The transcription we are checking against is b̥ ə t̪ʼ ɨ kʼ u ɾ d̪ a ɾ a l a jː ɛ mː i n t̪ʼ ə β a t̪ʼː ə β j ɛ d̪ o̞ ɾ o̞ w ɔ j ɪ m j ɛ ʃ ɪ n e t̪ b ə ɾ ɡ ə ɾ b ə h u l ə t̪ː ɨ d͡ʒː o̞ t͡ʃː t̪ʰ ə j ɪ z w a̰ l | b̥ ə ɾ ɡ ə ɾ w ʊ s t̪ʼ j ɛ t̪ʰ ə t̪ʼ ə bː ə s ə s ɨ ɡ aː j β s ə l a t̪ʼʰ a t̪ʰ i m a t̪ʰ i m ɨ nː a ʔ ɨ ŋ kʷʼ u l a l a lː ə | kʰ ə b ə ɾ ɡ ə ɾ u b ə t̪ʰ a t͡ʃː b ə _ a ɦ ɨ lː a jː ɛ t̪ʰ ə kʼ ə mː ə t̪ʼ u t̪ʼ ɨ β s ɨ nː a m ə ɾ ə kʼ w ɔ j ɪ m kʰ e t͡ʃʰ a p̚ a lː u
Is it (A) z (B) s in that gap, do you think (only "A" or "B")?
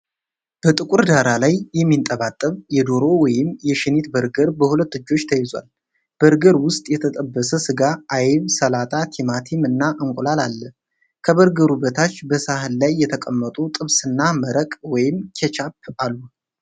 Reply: B